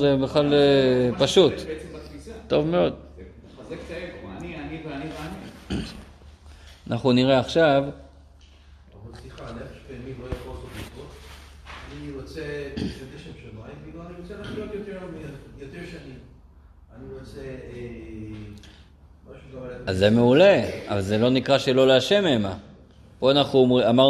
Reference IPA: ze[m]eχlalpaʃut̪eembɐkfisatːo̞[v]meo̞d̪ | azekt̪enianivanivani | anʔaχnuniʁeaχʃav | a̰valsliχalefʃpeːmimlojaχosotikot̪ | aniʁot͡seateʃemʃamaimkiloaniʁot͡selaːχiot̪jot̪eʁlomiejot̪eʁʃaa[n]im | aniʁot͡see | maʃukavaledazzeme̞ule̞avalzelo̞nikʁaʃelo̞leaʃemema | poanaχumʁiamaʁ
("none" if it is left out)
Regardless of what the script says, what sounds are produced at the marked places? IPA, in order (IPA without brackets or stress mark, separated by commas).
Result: b, v, n